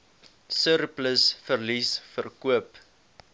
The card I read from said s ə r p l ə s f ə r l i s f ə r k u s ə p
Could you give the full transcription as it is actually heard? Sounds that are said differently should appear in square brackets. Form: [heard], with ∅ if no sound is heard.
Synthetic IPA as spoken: s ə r p l ə s f ə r l i s f ə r k u [∅] ə p